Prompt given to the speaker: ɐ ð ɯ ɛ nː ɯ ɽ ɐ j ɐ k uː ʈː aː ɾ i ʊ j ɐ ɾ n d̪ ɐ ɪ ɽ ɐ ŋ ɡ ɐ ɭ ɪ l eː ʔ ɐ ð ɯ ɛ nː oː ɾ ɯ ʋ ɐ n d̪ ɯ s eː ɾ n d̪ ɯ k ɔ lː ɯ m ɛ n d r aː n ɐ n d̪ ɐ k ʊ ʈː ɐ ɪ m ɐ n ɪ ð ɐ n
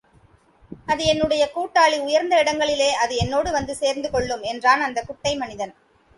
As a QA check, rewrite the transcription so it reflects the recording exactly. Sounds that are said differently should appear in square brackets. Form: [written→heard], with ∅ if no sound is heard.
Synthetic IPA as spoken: ɐ ð ɯ ɛ nː ɯ ɽ ɐ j ɐ k uː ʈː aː [ɾ→ɭ] i ʊ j ɐ ɾ n d̪ ɐ ɪ ɽ ɐ ŋ ɡ ɐ ɭ ɪ l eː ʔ ɐ ð ɯ ɛ nː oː [ɾ→ɽ] ɯ ʋ ɐ n d̪ ɯ s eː ɾ n d̪ ɯ k ɔ [lː→ɭː] ɯ m ɛ n d r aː n ɐ n d̪ ɐ k ʊ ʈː ɐ ɪ m ɐ n ɪ ð ɐ n